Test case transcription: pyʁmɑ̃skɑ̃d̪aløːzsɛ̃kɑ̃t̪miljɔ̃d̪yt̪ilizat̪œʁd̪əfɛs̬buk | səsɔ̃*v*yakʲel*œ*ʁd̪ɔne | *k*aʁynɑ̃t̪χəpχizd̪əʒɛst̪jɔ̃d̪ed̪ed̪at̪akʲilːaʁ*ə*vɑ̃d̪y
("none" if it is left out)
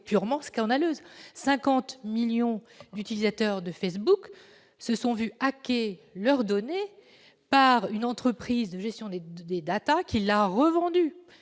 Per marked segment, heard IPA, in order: v, œ, p, ə

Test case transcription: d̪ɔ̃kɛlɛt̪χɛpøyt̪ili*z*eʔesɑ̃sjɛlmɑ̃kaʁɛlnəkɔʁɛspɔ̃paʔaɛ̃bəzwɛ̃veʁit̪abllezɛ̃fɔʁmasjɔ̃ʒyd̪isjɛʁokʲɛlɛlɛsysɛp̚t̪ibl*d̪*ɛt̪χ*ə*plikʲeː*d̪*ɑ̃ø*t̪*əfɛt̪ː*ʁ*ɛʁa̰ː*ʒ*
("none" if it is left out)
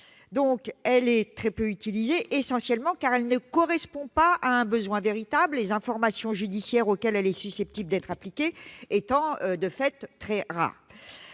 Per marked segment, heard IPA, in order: z, d̪, a, t̪, d̪, χ, ʁ

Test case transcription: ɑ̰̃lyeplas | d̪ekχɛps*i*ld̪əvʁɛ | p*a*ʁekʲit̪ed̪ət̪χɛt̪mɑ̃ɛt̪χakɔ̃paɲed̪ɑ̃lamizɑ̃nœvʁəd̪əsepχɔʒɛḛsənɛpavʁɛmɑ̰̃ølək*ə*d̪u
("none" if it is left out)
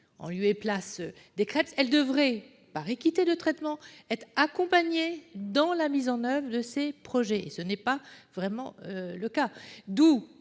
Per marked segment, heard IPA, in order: ɛ, a, a

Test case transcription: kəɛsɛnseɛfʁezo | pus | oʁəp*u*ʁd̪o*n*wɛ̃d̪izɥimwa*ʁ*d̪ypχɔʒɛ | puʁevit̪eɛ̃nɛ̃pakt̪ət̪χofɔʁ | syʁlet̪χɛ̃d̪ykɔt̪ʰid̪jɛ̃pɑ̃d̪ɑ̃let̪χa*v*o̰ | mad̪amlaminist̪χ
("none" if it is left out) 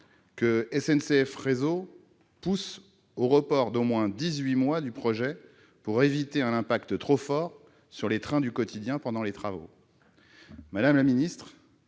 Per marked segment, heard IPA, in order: ɔ, m, none, v

